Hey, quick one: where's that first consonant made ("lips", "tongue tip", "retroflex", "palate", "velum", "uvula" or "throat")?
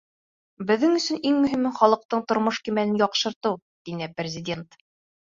lips